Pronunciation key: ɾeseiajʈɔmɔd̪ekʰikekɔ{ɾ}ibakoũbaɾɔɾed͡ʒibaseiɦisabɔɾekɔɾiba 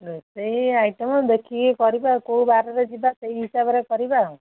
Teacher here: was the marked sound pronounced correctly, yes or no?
yes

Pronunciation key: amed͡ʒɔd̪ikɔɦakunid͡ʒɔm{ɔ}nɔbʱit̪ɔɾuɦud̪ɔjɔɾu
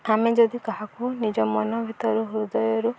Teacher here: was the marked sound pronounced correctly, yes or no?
yes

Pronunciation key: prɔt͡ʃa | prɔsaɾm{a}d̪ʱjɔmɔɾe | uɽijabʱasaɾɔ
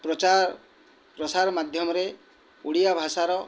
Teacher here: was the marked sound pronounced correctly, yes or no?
yes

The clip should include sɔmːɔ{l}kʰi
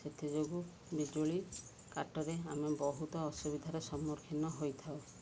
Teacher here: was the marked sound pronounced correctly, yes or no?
no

